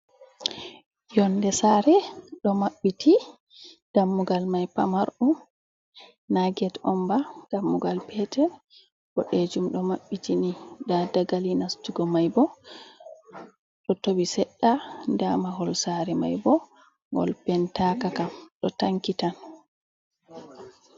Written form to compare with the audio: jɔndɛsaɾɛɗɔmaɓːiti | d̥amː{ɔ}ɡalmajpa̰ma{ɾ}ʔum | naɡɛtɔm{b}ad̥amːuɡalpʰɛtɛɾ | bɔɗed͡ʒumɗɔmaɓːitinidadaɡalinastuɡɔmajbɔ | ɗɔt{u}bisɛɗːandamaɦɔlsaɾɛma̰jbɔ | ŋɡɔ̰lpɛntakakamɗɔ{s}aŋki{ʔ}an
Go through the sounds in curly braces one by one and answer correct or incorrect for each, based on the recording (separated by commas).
incorrect, correct, correct, incorrect, incorrect, incorrect